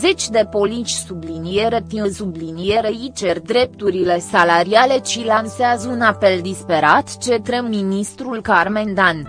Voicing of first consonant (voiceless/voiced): voiced